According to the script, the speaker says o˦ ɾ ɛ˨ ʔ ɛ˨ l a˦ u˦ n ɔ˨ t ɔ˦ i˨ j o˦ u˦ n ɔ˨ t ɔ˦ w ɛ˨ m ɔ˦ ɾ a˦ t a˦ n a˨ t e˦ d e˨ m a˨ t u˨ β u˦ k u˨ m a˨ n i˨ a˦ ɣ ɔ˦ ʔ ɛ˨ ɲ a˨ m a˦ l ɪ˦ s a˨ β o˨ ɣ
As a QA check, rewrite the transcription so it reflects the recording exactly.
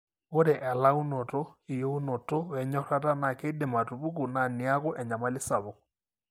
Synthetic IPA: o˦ ɾ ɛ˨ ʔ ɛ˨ l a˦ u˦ n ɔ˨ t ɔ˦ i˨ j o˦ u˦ n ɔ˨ t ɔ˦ w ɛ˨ ɲ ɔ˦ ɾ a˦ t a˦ n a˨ k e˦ d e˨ m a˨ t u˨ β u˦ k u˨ n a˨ n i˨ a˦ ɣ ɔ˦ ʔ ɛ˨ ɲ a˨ m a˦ l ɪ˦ s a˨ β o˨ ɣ